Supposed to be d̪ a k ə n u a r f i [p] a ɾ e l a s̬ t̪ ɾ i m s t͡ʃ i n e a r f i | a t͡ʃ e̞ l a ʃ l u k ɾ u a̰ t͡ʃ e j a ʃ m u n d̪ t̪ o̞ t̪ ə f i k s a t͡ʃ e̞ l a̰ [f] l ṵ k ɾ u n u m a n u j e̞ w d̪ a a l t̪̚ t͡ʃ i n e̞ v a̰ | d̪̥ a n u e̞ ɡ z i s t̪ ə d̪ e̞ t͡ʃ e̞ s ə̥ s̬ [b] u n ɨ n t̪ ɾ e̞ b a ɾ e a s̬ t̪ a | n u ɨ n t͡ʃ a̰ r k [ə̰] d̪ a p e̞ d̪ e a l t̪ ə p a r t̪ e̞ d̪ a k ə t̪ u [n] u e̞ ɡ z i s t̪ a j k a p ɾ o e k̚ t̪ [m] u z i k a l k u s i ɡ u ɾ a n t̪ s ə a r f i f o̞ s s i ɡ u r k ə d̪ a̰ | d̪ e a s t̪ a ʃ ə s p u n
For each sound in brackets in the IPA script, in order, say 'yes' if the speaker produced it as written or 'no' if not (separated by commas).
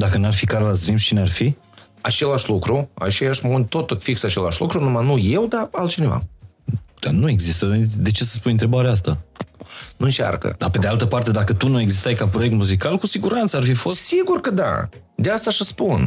no, no, no, yes, yes, yes